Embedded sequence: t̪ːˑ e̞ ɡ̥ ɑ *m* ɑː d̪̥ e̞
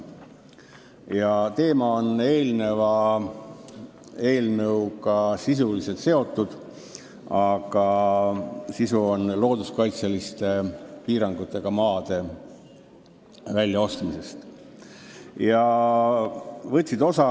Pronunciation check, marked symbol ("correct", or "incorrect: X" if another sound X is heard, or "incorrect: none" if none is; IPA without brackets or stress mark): correct